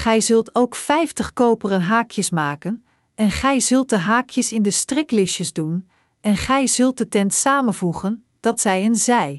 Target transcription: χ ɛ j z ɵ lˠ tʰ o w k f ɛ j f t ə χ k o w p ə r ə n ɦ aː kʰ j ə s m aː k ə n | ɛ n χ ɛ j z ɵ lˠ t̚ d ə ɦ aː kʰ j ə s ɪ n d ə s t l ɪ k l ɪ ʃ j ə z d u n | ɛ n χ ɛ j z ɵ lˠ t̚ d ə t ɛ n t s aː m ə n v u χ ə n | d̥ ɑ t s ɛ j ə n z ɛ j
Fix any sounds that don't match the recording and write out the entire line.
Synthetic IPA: χ ɛ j z ɵ lˠ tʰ o w k f ɛ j f t ə χ k o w p ə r ə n ɦ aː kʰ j ə s m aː k ə n | ɛ n χ ɛ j z ɵ lˠ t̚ d ə ɦ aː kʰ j ə s ɪ n d ə s t r ɪ k l ɪ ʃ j ə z d u n | ɛ n χ ɛ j z ɵ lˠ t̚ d ə t ɛ n t s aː m ə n v u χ ə n | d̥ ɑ t s ɛ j ə n z ɛ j